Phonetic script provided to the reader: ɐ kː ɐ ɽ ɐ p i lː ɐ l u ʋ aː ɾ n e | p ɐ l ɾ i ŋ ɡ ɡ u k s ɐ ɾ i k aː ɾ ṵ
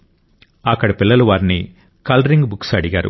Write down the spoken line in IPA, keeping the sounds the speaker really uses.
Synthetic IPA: ɐ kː ɐ ɽ ɐ p i lː ɐ l u ʋ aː ɾ n i | k ɐ l ɾ i ŋ ɡ b u k s ɐ ɽ i ɡ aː ɾ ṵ

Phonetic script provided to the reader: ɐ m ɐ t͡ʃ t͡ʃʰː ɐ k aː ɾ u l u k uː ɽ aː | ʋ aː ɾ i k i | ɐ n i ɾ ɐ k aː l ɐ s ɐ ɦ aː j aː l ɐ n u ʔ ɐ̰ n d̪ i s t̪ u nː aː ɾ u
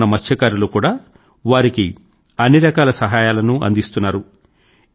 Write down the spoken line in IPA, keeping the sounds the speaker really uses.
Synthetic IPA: ɐ m ɐ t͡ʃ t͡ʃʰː ɐ k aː ɾ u l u k uː ɽ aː | ʋ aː ɾ i k i | ɐ nː i ɾ ɐ k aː l ɐ s ɐ ɦ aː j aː l ɐ n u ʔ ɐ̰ n d̪ i s t̪ u nː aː ɾ u

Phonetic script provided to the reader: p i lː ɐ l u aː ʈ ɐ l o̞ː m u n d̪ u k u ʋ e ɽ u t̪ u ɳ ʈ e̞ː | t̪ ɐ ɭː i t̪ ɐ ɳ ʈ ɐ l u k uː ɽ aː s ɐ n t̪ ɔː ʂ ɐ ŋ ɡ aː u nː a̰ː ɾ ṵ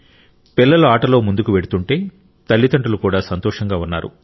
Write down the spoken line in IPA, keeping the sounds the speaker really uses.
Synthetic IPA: p i lː ɐ l u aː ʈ ɐ l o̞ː m u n d̪ u k u ʋ e ɽ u t̪ u ɳ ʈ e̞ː | t̪ ɐ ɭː i t̪ ɐ ɳ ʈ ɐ l u k uː ɽ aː s ɐ n t̪ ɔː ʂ ɐ ŋ ɡ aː u nː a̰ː ɾ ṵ

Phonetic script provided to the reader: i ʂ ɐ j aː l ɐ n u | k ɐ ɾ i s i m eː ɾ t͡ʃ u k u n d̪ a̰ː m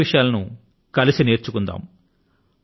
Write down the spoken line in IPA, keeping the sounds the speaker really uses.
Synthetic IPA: i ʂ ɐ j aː l ɐ n u | k ɐ l i s i n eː ɾ t͡ʃ u k u n d̪ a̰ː m

